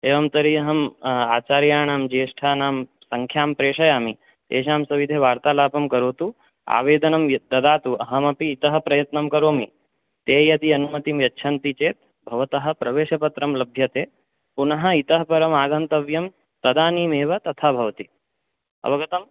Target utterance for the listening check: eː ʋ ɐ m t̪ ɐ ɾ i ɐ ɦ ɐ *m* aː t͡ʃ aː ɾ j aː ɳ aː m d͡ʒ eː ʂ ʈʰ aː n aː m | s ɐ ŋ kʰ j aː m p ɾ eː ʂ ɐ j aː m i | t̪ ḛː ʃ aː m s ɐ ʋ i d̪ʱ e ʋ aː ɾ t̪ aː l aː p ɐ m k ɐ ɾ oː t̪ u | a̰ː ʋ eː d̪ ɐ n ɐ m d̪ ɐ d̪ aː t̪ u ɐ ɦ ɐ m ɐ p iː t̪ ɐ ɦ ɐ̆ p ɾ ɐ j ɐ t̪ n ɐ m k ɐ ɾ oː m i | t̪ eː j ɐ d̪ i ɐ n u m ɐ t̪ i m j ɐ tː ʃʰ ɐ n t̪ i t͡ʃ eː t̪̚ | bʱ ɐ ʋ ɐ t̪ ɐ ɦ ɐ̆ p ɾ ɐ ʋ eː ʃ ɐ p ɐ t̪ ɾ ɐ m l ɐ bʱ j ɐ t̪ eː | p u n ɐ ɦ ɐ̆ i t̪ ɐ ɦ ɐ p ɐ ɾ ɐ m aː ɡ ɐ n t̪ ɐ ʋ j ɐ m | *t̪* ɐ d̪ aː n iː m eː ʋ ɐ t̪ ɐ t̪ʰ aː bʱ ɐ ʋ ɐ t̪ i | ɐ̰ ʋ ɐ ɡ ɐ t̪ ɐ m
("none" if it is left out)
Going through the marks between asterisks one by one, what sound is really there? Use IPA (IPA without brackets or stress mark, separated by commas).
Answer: m, t̪